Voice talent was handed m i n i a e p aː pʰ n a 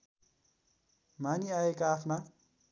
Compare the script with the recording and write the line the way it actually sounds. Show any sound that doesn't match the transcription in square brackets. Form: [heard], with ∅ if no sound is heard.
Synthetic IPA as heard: m [a] n i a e [k] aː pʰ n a